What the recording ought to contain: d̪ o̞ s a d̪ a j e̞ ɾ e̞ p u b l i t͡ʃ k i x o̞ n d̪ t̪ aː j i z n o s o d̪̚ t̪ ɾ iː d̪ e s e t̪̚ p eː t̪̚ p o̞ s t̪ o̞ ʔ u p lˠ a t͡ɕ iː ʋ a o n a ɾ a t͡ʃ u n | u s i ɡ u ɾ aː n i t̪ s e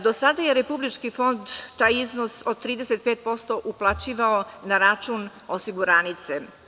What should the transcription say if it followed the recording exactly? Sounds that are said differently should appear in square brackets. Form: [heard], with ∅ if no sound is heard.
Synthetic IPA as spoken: d̪ o̞ s a d̪ a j e̞ ɾ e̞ p u b l i t͡ʃ k i [f] o̞ n d̪ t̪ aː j i z n o s o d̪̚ t̪ ɾ iː d̪ e s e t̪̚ p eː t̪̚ p o̞ s t̪ o̞ ʔ u p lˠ a t͡ɕ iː ʋ a o n a ɾ a t͡ʃ u n | [o] s i ɡ u ɾ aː n i t̪ s e